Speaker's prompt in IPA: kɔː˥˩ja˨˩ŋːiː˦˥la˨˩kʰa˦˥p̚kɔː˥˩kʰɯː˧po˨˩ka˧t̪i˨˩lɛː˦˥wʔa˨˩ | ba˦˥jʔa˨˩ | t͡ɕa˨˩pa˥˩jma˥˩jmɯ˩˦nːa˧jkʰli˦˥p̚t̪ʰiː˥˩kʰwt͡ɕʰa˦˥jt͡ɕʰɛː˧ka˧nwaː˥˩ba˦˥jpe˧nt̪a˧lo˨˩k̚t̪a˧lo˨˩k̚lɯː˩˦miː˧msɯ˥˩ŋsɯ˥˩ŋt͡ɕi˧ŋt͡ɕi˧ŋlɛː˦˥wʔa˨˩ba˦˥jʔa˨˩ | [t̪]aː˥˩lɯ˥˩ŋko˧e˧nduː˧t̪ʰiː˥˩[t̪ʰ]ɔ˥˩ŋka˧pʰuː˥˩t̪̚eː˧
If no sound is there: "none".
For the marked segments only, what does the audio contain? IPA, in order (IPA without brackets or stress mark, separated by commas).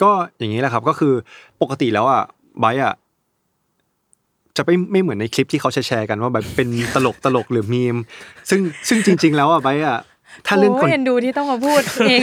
t̪ʰ, t̪